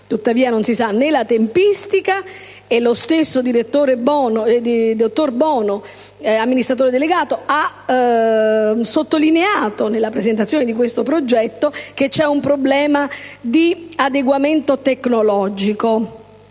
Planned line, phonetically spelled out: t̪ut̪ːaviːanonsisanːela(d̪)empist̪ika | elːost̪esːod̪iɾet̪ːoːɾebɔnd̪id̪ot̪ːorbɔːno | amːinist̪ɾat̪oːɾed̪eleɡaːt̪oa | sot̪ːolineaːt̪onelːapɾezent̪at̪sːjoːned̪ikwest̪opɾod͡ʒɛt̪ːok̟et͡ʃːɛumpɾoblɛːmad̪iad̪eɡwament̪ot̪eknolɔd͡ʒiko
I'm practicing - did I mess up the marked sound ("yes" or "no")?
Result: yes